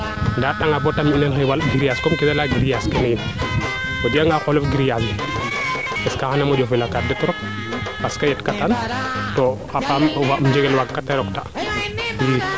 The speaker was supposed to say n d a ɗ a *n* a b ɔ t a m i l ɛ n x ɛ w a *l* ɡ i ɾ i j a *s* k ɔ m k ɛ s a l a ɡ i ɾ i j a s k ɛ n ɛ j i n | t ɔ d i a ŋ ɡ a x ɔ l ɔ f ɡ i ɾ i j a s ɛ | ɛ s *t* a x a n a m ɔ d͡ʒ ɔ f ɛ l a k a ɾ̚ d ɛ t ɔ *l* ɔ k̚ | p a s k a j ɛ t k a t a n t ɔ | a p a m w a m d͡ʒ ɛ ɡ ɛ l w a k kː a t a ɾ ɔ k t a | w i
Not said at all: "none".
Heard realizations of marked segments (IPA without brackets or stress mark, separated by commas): ŋ, l, s, k, ɾ